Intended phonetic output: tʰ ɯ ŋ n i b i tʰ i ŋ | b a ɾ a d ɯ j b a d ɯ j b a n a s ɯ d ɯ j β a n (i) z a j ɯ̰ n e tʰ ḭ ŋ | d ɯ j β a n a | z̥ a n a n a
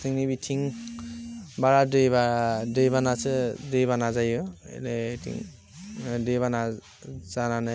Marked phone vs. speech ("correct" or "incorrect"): incorrect